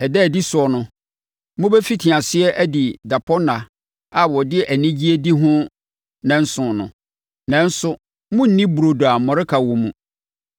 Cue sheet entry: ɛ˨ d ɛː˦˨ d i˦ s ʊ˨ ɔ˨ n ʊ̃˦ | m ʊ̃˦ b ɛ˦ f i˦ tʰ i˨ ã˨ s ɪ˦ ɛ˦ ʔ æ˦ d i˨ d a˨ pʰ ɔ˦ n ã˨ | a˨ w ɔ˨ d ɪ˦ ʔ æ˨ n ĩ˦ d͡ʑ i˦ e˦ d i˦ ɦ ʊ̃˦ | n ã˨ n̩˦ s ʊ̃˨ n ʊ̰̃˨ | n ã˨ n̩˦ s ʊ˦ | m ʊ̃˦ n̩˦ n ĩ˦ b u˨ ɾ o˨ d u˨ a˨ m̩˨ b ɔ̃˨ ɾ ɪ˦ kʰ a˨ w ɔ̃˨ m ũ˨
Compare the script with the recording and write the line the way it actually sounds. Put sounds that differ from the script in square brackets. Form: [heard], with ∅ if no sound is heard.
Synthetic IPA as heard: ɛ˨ d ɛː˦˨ d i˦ s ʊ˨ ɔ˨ n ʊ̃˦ | m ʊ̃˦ b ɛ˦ f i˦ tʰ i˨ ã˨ s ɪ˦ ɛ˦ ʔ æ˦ d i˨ d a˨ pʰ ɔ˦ n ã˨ | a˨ w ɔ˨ d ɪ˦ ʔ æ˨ n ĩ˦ d͡ʑ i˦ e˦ d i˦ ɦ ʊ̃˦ | n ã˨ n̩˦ s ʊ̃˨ n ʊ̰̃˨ | n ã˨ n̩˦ s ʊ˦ | m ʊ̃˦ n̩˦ n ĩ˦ b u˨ ɾ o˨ d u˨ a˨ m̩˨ [m] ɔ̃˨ ɾ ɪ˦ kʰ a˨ w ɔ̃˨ m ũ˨